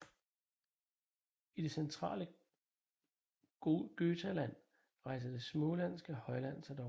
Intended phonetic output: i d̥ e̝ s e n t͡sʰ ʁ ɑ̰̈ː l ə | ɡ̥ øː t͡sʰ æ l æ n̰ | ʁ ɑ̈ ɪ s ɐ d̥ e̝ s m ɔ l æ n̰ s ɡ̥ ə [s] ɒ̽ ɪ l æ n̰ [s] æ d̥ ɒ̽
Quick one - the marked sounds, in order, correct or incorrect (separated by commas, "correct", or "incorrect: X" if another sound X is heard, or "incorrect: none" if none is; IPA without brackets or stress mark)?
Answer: incorrect: h, correct